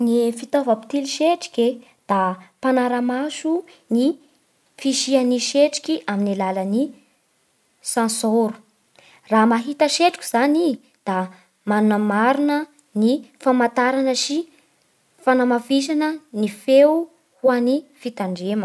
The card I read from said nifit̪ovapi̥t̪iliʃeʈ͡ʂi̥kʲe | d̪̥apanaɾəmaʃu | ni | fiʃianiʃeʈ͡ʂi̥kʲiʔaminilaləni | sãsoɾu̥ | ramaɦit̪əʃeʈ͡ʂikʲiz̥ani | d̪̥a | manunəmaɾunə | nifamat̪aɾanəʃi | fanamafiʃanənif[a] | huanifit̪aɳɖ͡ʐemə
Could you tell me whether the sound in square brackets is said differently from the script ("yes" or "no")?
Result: yes